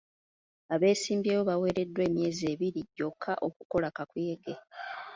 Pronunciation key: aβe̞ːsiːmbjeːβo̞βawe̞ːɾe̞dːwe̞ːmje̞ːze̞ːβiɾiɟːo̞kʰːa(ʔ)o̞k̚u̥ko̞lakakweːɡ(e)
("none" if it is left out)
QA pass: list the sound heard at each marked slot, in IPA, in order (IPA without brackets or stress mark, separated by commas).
ʔ, e